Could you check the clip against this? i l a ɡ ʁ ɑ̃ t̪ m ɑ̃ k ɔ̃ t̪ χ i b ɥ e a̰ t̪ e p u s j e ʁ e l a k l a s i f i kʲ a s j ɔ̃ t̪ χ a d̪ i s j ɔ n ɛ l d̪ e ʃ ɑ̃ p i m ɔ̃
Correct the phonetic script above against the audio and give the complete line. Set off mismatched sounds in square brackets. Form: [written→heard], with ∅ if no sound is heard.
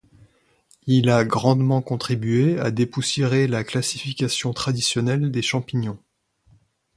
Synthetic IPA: i l a ɡ ʁ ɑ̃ [t̪→d̪] m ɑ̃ k ɔ̃ t̪ χ i b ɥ e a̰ [t̪→d̪] e p u s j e ʁ e l a k l a s i f i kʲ a s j ɔ̃ t̪ χ a d̪ i s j ɔ n ɛ l d̪ e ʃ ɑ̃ p i [m→ɲ] ɔ̃